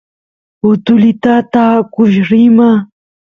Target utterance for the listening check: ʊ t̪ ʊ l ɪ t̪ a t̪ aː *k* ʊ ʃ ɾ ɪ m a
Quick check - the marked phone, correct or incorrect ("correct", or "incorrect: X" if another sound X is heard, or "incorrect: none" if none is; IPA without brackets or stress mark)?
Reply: correct